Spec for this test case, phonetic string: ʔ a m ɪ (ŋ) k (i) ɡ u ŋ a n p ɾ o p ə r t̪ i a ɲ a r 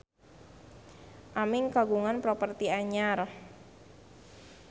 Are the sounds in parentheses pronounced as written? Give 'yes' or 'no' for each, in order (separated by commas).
yes, no